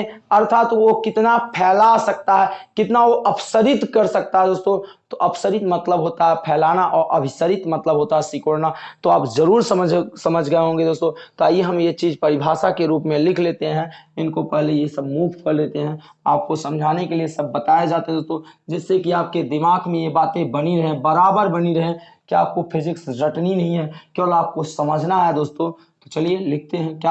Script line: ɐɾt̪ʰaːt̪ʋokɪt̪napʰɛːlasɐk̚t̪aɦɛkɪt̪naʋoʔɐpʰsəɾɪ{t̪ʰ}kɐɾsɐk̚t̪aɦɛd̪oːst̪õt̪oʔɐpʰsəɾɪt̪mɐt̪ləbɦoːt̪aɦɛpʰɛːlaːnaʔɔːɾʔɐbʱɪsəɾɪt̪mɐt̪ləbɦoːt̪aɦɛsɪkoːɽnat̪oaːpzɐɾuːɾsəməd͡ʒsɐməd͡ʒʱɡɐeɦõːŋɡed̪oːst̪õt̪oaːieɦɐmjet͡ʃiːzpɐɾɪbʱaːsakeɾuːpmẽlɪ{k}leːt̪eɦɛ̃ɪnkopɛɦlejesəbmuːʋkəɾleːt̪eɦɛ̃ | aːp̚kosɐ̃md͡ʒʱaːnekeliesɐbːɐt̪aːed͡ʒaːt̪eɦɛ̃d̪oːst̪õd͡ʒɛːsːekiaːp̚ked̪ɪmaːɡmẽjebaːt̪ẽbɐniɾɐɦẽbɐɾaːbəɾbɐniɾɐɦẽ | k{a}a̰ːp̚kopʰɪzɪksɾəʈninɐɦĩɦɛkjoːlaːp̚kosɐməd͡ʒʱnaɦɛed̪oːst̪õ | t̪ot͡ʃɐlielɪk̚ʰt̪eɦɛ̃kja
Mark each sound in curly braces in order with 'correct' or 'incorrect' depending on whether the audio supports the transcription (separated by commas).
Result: incorrect, incorrect, incorrect